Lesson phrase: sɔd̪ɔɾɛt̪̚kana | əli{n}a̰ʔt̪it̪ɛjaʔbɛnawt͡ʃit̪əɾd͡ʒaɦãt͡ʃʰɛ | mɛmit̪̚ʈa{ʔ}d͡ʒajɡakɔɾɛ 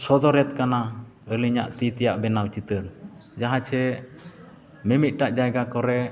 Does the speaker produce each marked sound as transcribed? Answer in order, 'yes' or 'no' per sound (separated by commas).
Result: no, yes